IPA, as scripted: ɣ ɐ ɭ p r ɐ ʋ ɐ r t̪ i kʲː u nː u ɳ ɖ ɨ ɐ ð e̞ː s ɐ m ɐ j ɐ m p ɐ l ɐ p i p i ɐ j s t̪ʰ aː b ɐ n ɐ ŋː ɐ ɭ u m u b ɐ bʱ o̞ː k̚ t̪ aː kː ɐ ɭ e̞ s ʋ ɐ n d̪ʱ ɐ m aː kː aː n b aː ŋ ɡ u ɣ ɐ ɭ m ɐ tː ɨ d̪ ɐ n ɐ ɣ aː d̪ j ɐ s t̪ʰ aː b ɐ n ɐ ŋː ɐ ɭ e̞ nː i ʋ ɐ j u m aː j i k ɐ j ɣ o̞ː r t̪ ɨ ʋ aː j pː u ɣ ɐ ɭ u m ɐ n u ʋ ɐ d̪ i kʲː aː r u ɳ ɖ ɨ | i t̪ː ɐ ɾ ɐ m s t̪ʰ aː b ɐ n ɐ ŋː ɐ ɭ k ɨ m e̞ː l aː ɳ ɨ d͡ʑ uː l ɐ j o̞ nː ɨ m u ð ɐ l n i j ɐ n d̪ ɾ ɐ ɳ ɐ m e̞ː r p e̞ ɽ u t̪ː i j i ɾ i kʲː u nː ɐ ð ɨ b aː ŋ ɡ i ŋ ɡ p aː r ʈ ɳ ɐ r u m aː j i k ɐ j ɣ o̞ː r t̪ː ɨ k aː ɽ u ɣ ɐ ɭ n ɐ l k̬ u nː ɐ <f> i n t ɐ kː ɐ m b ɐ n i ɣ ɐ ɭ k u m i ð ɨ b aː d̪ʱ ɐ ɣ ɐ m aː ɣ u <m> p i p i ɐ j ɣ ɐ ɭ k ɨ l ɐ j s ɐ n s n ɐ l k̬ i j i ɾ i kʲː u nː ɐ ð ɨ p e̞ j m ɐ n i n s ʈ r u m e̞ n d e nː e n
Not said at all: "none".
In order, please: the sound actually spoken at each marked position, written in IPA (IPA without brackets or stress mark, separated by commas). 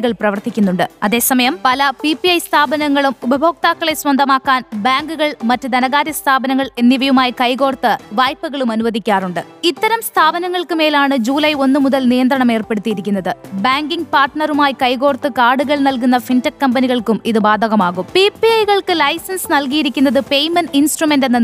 f, m